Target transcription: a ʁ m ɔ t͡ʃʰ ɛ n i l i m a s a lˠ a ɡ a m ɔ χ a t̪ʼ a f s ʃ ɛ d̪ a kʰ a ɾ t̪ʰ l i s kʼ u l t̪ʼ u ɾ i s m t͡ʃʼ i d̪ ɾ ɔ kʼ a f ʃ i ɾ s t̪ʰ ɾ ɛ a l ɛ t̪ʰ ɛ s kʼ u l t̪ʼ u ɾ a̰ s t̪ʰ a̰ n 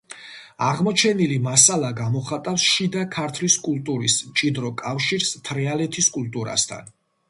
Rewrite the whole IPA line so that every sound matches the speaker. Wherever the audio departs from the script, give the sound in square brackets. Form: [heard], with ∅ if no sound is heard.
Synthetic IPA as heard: a ʁ m ɔ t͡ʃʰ ɛ n i l i m a s a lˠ a ɡ a m ɔ χ a t̪ʼ a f s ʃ [i] d̪ a kʰ a ɾ t̪ʰ l i s kʼ u l t̪ʼ u ɾ i s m t͡ʃʼ i d̪ ɾ ɔ kʼ a f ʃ i ɾ s t̪ʰ ɾ ɛ a l ɛ t̪ʰ [i] s kʼ u l t̪ʼ u ɾ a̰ s t̪ʰ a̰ n